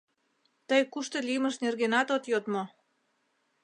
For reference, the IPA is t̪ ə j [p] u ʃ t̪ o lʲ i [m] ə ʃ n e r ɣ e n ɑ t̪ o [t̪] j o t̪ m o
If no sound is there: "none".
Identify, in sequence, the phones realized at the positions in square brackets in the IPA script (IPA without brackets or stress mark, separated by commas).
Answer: k, m, t̪